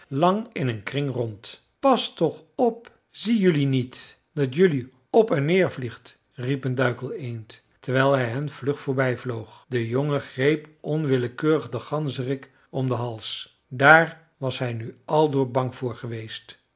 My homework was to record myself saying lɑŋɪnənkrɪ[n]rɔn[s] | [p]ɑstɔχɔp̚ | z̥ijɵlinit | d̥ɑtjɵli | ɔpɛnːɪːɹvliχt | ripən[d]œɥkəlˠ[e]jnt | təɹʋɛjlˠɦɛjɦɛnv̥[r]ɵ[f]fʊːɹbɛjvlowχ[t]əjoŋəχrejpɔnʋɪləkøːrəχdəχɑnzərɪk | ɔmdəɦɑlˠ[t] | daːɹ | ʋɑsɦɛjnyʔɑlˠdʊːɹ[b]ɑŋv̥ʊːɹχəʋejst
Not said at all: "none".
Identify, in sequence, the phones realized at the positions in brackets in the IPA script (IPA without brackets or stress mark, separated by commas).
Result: ŋ, t, p, d, e, l, χ, d, s, b